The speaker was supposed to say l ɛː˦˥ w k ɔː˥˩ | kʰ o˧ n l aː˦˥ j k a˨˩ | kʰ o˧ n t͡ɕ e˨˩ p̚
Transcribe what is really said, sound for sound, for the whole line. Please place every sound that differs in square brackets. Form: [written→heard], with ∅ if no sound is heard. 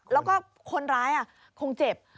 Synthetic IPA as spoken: l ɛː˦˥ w k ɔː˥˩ | kʰ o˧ n [l→ɾ] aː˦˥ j [k→ʔ] a˨˩ | kʰ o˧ [n→ŋ] t͡ɕ e˨˩ p̚